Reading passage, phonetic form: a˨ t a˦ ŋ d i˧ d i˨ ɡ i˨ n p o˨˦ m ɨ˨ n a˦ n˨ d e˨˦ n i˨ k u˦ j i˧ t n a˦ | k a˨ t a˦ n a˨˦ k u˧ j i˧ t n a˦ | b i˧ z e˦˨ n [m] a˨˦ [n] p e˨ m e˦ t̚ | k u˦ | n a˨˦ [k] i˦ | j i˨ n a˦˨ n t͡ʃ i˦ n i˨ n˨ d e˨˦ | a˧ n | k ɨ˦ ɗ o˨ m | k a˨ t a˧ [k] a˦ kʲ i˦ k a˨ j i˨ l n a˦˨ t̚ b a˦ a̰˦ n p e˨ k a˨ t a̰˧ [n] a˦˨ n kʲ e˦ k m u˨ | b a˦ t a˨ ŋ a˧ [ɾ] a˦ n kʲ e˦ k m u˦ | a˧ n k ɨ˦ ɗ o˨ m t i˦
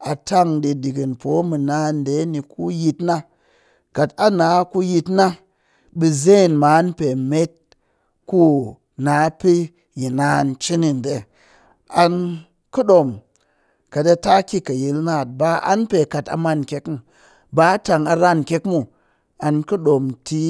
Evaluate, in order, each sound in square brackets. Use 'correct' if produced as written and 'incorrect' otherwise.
correct, correct, incorrect, incorrect, incorrect, correct

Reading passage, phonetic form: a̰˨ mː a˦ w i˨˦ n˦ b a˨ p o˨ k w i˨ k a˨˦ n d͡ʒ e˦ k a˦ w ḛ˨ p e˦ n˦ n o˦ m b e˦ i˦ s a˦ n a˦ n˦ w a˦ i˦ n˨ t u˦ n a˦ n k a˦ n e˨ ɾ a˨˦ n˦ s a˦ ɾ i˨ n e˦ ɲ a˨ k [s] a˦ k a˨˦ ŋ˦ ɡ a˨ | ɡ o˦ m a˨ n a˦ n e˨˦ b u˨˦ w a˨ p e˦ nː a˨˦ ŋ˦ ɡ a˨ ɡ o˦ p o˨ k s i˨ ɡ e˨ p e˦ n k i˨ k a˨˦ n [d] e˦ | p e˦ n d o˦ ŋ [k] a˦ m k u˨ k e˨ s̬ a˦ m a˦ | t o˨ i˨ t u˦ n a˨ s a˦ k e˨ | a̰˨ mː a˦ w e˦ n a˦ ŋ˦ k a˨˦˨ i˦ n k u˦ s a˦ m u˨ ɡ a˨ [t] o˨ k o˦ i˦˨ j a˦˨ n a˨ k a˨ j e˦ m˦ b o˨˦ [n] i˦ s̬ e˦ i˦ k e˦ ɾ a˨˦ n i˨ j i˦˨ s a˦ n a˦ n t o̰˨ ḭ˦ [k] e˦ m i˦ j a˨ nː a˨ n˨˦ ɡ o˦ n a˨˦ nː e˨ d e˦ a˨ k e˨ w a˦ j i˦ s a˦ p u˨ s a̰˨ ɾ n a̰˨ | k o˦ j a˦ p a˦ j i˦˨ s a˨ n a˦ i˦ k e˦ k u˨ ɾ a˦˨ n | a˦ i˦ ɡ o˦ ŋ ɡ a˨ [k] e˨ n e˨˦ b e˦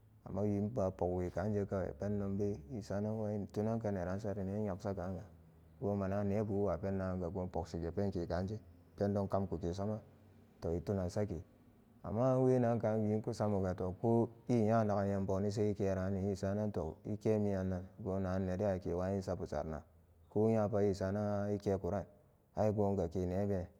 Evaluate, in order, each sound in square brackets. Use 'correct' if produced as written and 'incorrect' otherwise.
correct, incorrect, correct, correct, correct, correct, correct

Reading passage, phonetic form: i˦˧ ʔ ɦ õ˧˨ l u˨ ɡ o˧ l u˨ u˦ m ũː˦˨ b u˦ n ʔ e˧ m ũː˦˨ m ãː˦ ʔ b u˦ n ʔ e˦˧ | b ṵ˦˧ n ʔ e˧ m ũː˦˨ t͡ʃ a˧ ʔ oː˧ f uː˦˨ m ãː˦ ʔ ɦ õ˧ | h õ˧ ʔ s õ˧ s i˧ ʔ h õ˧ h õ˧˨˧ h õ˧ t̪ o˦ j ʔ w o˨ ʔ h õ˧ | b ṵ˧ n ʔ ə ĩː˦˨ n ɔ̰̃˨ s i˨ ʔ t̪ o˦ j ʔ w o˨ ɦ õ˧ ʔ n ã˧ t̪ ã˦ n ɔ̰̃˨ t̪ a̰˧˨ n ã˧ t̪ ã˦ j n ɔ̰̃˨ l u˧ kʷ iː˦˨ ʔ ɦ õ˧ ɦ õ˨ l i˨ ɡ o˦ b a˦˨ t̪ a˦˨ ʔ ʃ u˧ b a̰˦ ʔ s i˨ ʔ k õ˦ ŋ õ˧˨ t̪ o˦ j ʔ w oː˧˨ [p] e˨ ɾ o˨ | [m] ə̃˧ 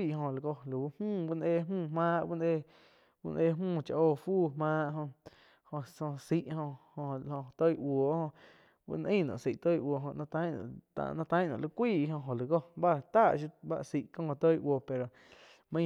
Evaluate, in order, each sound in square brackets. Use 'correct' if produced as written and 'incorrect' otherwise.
correct, correct

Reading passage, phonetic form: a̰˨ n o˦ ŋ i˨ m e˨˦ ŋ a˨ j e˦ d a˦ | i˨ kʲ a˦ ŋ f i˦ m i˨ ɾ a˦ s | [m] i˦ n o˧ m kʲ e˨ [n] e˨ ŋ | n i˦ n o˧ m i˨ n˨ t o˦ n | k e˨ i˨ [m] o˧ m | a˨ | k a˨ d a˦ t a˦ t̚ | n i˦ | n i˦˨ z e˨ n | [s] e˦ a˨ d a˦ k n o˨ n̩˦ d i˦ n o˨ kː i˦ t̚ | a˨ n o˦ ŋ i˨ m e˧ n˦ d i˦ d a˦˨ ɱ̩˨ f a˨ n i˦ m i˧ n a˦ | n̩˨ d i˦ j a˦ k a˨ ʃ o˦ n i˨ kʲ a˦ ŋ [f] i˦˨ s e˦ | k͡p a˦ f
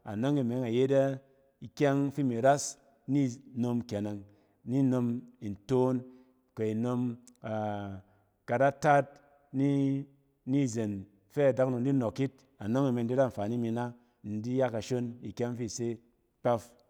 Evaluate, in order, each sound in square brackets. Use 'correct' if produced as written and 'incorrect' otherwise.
incorrect, correct, incorrect, incorrect, correct

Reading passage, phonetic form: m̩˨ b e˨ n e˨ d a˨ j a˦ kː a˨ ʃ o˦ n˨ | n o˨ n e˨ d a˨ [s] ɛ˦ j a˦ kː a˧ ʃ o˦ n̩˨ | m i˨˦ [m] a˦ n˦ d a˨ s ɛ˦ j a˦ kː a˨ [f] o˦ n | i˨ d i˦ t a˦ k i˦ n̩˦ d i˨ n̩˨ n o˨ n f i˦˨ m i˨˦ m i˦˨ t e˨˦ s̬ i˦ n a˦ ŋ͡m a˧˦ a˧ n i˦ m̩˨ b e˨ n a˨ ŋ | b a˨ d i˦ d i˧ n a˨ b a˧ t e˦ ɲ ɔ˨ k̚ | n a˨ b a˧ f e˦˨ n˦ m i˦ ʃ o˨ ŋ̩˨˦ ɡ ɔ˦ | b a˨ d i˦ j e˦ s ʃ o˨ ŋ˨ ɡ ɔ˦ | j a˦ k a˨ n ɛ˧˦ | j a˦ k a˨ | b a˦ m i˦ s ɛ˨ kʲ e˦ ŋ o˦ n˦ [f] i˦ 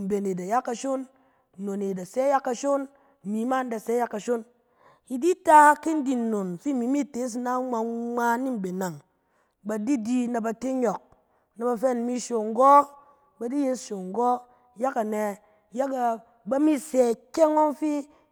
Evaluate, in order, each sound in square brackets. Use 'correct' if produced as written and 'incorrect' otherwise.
correct, correct, incorrect, correct

